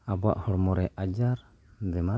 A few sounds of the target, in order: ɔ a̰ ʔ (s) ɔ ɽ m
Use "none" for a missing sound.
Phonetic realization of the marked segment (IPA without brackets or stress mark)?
h